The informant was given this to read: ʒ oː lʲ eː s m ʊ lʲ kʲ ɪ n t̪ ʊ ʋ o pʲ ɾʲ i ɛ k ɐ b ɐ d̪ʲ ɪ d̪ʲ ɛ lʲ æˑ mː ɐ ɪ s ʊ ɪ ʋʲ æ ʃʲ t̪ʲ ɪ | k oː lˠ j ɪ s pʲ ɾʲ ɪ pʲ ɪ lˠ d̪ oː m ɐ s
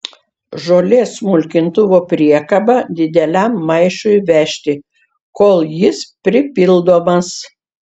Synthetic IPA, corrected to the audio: ʒ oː lʲ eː s m ʊ lʲ kʲ ɪ n t̪ ʊ ʋ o pʲ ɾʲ i ɛ k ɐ b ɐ d̪ʲ ɪ d̪ʲ ɛ lʲ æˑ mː ɐ ɪ ʃ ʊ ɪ ʋʲ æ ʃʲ t̪ʲ ɪ | k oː lˠ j ɪ s pʲ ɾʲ ɪ pʲ ɪ lˠ d̪ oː m ɐ s